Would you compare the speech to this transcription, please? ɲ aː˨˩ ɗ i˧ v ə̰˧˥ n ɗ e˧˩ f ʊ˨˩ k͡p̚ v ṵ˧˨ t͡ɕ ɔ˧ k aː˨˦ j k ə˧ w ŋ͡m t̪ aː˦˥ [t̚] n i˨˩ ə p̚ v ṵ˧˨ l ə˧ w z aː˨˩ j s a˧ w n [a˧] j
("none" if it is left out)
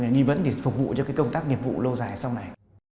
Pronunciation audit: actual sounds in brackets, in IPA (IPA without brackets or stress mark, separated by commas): k̚, a˨˩